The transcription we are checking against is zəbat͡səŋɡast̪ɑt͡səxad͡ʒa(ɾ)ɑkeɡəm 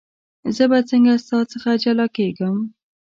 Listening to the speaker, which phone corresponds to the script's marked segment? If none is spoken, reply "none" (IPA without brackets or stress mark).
l